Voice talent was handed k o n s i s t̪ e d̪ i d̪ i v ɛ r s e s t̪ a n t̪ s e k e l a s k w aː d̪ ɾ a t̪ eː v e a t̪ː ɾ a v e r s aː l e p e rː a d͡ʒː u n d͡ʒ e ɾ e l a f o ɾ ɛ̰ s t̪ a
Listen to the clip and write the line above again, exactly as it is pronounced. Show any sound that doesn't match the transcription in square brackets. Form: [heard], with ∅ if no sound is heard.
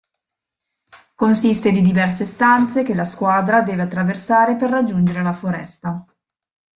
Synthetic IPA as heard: k o n s i s t̪ e d̪ i d̪ i v ɛ r s e s t̪ a n t̪ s e k e l a s k w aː d̪ ɾ a [d̪] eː v e a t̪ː ɾ a v e r s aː [ɾ] e p e rː a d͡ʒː u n d͡ʒ e ɾ e l a f o ɾ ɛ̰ s t̪ a